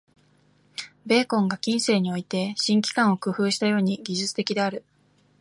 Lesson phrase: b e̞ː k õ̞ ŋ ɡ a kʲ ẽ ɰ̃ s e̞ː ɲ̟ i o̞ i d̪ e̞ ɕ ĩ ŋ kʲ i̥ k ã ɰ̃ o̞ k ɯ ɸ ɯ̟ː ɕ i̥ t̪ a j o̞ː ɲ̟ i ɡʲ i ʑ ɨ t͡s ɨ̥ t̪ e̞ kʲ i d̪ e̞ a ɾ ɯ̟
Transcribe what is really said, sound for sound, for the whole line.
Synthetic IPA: b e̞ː k õ̞ ŋ ɡ a kʲ ĩ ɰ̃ s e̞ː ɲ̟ i o̞ i t̪ e̞ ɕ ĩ ŋ kʲ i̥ k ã ɰ̃ o̞ k ɯ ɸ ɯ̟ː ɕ i̥ t̪ a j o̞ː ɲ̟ i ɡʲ i ʑ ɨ t͡s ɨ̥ t̪ e̞ kʲ i d̪ e̞ a ɾ ɯ̟